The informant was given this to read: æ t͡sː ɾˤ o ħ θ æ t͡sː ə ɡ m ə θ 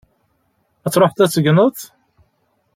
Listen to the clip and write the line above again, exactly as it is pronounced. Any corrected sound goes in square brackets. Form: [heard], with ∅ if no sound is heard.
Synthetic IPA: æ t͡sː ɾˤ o ħ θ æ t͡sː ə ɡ [n] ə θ

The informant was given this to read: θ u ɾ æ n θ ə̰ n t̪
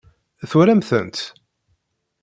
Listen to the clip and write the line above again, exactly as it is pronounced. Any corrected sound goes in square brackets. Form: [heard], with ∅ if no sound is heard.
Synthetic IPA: θ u ɾ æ [m] θ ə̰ n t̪

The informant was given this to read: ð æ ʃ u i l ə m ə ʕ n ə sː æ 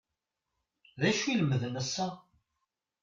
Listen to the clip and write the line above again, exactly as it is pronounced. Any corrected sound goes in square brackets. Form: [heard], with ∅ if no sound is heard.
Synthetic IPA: ð æ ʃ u i l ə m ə [ð] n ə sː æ

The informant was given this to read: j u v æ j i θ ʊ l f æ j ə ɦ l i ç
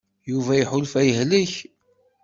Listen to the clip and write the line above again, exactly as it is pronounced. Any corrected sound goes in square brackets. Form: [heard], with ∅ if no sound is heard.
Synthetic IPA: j u v æ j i [ħ] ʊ l f æ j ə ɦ l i ç

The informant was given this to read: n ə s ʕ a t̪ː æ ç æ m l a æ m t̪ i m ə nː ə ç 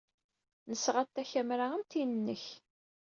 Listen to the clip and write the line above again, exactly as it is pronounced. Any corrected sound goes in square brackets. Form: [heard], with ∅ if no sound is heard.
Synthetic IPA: n ə s [ʁ] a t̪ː æ ç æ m [ɾ] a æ m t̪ i [n] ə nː ə ç

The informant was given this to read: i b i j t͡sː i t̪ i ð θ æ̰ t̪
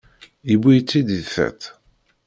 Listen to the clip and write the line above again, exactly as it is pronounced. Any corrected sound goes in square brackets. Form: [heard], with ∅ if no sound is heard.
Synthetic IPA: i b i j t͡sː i [d̪] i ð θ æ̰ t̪

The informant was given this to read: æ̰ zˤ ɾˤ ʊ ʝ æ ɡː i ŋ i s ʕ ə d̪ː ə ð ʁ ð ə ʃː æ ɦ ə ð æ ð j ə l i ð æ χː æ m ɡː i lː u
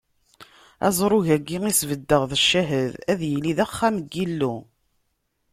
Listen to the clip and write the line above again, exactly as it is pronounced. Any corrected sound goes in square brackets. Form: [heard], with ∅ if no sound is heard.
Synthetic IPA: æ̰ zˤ ɾˤ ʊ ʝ æ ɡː i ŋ i s [v] ə d̪ː ə [∅] ʁ ð ə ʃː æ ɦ ə ð æ ð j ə l i ð æ χː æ m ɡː i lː u

